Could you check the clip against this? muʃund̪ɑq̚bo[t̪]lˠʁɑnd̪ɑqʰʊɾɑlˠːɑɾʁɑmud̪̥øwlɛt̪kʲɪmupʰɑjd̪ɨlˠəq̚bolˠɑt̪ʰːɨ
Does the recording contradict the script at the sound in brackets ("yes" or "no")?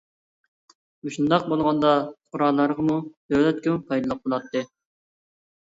yes